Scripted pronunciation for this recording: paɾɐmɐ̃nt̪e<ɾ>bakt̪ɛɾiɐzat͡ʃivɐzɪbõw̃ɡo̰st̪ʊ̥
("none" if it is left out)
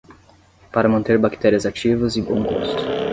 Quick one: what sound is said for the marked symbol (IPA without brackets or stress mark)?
ɾ